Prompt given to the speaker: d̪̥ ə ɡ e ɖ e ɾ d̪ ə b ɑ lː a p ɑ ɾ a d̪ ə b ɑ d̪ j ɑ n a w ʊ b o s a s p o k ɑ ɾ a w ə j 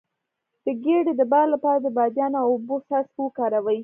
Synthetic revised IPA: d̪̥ ə ɡ e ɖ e d̪ ə b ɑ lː a p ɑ ɾ a d̪ ə b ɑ d̪ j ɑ n a w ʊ b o s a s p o k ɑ ɾ a w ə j